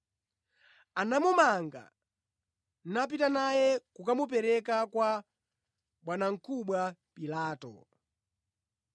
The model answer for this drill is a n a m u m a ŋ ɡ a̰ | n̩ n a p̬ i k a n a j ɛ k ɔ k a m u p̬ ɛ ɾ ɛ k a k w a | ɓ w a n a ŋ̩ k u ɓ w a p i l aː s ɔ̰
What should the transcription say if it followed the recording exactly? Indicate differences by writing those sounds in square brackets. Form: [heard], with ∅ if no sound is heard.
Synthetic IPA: a n a m u m a ŋ ɡ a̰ | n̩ n a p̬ i [t] a n a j ɛ k [u] k a m u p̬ ɛ ɾ ɛ k a k w a | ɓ w a n a ŋ̩ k u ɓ w a p i l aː [t] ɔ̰